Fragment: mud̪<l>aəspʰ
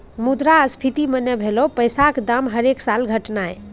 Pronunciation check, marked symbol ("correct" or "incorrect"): incorrect